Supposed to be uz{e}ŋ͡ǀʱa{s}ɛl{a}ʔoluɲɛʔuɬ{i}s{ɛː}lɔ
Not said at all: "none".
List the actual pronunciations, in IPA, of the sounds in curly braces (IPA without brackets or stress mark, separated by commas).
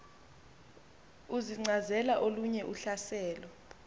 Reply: i, z, a, a, ɛː